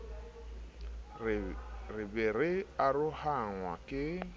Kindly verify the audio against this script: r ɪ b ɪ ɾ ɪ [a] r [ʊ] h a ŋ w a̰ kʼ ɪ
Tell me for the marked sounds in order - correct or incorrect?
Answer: correct, correct

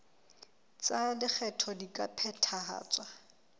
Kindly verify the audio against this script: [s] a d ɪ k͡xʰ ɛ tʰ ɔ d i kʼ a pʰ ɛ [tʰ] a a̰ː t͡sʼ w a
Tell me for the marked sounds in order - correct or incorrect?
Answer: incorrect: t͡s, correct

